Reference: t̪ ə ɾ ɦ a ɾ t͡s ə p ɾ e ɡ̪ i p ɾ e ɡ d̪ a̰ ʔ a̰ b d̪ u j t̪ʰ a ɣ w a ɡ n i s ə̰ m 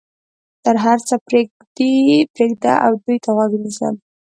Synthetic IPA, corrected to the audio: t̪ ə ɾ ɦ a ɾ t͡s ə p ɾ e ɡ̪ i p ɾ e ɡ d̪ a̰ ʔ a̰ w d̪ u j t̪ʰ a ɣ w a ɡ n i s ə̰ m